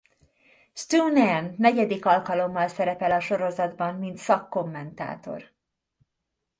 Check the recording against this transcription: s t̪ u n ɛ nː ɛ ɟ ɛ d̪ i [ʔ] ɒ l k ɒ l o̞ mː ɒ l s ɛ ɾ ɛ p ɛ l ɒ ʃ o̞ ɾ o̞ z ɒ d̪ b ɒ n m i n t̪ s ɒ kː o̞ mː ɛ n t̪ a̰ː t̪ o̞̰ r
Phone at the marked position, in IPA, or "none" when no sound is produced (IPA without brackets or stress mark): k